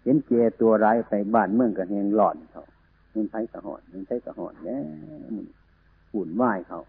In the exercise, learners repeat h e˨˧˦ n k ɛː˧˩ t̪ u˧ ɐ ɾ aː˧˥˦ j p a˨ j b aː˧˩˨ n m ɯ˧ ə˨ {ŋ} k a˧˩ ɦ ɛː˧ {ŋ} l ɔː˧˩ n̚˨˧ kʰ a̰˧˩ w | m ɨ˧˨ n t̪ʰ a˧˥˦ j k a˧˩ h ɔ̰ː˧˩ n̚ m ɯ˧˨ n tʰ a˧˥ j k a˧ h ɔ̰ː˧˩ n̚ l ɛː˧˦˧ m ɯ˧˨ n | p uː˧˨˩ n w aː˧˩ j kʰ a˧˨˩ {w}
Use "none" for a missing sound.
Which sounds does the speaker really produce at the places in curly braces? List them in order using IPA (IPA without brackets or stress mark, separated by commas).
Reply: ŋ, ŋ, w